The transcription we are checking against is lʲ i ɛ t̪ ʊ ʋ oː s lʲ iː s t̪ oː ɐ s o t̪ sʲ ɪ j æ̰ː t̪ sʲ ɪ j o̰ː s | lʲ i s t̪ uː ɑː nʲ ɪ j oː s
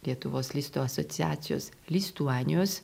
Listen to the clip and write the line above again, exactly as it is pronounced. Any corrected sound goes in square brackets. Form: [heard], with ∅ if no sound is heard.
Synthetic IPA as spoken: lʲ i ɛ t̪ ʊ ʋ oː s lʲ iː s t̪ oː ɐ s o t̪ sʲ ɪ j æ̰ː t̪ sʲ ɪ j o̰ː s | lʲ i s t̪ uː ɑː nʲ ɪ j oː s